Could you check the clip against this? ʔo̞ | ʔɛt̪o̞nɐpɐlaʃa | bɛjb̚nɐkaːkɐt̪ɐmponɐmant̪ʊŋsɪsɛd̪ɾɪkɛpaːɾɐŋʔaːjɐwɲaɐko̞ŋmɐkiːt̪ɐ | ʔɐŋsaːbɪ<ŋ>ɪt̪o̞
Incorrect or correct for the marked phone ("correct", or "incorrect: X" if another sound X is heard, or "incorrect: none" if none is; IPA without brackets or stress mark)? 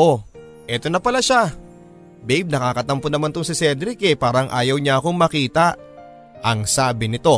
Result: incorrect: n